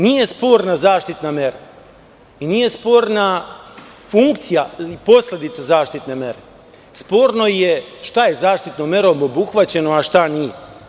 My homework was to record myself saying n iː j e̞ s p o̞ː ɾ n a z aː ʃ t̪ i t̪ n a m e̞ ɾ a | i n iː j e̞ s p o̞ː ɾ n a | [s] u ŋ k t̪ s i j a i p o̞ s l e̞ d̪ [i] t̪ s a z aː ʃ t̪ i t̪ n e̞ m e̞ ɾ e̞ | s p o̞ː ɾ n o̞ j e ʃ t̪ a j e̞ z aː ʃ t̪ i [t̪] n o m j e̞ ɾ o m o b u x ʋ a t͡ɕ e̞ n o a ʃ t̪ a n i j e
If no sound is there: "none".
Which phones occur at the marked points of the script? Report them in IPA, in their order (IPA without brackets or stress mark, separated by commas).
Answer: f, i, t̪